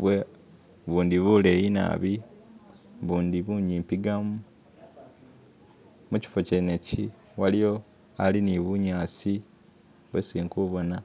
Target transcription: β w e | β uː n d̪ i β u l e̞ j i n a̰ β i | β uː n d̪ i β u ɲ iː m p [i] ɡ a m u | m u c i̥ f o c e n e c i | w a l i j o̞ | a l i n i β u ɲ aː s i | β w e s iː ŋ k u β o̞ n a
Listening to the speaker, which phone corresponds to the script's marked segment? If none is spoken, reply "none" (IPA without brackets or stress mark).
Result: i